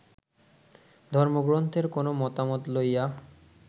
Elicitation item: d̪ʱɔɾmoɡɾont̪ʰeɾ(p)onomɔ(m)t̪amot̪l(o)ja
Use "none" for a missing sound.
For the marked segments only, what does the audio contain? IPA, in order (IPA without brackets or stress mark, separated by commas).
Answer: k, none, o